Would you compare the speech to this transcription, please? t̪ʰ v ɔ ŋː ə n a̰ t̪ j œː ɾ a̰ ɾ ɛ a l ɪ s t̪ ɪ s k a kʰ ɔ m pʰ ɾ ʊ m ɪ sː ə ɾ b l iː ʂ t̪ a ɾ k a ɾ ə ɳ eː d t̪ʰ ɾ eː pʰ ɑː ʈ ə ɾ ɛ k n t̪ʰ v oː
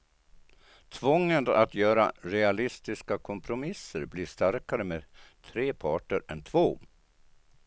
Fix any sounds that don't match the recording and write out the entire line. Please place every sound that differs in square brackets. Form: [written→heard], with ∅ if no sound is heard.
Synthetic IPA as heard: t̪ʰ v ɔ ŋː ə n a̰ t̪ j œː ɾ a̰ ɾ ɛ a l ɪ s t̪ ɪ s k a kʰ ɔ m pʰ ɾ ʊ m ɪ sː ə ɾ b l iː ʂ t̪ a ɾ k a ɾ ə [ɳ→m] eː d t̪ʰ ɾ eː pʰ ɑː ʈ ə ɾ ɛ [k→∅] n t̪ʰ v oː